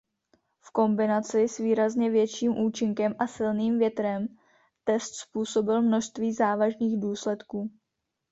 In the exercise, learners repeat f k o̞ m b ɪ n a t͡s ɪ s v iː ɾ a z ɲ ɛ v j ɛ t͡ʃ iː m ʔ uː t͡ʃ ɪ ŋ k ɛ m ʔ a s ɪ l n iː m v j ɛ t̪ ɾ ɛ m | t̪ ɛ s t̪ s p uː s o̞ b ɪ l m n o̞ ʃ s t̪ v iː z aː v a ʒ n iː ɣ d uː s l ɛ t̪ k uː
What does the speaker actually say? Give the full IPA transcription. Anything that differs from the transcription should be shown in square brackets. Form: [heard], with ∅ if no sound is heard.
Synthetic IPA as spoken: f k o̞ m b ɪ n a t͡s ɪ s v iː ɾ a z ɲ ɛ v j ɛ t͡ʃ iː m ʔ uː t͡ʃ ɪ ŋ k ɛ m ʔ a s ɪ l n iː m v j ɛ t̪ ɾ ɛ m | t̪ ɛ s t̪ s p uː s o̞ b ɪ l m n o̞ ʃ s t̪ v iː z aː v a ʒ n iː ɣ d uː s l ɛ t̪ k uː